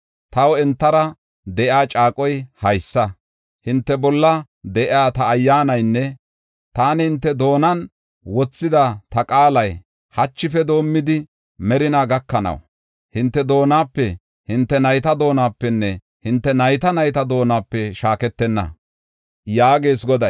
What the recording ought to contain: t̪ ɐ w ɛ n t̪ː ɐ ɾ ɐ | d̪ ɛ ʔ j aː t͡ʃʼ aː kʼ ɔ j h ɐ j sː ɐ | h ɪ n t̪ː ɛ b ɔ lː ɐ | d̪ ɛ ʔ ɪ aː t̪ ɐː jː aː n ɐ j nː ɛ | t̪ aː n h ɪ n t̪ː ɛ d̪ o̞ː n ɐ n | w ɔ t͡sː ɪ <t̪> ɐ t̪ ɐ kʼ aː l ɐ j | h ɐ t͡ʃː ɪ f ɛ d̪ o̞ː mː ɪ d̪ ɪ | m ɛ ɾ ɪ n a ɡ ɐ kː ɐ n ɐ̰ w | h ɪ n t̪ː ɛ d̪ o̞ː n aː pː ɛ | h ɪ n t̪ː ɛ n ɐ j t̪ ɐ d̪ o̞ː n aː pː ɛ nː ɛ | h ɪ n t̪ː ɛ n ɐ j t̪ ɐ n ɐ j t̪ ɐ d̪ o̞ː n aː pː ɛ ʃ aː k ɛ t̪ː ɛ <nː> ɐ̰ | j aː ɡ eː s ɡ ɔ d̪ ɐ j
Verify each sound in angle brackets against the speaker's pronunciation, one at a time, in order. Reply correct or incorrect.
incorrect: d̪, correct

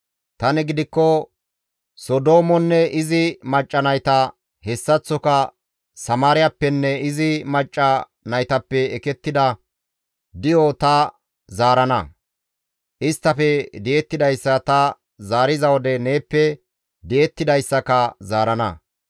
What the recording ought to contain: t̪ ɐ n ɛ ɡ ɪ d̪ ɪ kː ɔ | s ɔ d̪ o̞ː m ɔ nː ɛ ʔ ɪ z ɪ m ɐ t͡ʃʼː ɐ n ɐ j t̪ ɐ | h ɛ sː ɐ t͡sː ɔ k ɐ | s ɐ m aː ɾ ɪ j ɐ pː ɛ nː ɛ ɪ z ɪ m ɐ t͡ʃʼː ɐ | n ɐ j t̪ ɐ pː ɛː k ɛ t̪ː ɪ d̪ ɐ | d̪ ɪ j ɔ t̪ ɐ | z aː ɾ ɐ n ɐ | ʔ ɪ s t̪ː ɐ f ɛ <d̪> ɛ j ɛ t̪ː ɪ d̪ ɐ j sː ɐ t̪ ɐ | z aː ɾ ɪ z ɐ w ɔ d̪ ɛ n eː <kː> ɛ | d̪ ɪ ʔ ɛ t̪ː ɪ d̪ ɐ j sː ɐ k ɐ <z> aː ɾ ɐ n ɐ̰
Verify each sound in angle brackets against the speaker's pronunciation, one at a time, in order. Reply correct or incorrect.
correct, incorrect: pː, correct

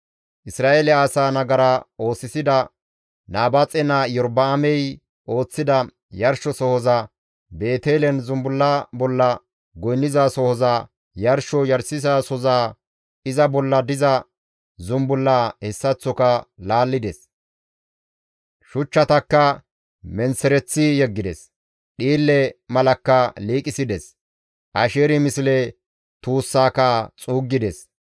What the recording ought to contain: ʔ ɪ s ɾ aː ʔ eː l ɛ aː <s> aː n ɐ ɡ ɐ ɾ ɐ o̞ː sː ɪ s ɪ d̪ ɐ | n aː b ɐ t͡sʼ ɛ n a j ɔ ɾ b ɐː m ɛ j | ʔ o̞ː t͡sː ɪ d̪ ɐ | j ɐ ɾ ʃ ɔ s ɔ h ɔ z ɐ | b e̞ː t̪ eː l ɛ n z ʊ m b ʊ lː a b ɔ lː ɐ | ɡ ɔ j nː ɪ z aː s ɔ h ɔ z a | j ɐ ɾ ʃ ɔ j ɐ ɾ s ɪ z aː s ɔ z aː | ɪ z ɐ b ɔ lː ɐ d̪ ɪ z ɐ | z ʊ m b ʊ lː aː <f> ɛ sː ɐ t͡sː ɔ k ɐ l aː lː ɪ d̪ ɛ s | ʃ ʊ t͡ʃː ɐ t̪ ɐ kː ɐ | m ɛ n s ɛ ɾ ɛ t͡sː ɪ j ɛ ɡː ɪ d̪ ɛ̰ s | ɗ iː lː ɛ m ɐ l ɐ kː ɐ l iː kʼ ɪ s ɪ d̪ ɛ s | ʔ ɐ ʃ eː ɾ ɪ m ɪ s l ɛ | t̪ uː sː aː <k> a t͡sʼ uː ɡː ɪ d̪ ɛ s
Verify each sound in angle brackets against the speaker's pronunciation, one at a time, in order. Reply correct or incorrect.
correct, incorrect: h, correct

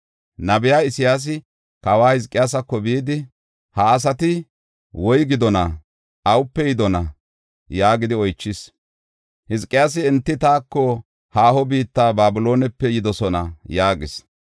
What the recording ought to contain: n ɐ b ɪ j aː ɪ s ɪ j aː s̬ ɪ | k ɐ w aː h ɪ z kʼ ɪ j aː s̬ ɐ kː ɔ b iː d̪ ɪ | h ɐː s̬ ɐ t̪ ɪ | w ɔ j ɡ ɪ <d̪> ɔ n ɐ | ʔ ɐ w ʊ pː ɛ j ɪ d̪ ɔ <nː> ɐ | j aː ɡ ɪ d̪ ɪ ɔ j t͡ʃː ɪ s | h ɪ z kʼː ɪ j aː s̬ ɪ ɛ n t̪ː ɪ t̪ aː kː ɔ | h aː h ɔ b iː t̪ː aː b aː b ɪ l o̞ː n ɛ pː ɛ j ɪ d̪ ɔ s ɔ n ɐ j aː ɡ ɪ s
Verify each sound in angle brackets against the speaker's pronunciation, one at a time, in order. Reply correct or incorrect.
correct, incorrect: n

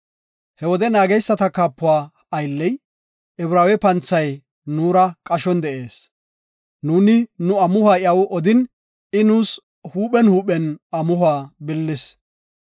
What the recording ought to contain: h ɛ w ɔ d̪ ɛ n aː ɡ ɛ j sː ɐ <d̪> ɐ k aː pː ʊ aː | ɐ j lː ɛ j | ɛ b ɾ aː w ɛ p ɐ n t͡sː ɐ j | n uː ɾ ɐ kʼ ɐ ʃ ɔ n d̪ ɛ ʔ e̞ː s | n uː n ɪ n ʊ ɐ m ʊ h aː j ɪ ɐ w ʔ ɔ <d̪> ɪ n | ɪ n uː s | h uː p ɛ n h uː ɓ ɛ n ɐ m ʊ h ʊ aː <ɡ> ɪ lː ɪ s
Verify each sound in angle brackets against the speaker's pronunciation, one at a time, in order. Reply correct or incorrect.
incorrect: t̪, correct, incorrect: b

